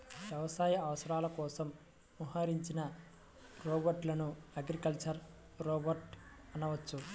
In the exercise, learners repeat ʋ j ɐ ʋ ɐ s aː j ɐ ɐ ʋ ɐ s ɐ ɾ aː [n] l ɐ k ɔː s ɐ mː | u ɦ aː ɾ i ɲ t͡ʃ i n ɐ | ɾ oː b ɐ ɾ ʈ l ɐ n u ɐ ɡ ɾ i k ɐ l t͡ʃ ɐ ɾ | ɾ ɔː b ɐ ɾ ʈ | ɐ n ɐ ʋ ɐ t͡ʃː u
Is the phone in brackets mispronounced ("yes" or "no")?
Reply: yes